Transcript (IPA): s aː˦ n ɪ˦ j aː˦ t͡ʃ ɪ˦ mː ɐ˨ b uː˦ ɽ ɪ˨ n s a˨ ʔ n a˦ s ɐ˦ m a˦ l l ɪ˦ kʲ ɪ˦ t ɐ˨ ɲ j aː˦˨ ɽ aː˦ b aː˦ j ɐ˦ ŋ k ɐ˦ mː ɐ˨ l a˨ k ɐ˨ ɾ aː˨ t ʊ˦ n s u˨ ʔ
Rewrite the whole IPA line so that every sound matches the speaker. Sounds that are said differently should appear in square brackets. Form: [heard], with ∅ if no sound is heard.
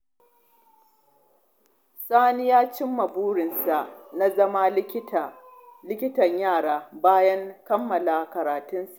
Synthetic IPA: s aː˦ n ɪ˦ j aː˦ t͡ʃ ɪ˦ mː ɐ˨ b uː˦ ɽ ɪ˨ n s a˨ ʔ n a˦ [z] ɐ˦ m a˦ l l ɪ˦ kʲ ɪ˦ t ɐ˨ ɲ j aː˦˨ ɽ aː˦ b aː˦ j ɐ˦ ŋ k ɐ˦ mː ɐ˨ l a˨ k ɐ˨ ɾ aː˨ t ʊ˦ n s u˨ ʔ